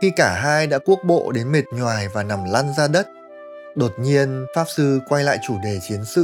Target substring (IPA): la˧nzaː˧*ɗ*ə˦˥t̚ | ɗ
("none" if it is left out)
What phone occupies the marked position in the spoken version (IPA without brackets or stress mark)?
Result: ɗ